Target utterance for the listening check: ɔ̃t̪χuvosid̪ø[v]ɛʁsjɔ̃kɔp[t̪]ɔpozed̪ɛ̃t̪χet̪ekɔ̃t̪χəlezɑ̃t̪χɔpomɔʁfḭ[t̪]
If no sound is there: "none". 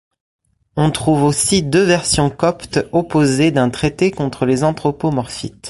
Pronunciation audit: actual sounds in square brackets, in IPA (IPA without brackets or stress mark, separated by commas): v, t̪, t̪